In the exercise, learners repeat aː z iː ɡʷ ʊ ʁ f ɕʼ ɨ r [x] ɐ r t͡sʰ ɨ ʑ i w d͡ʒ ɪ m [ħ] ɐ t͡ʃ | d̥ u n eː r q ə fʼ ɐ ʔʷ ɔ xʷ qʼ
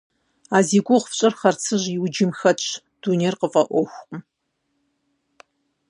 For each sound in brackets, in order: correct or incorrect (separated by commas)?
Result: incorrect, incorrect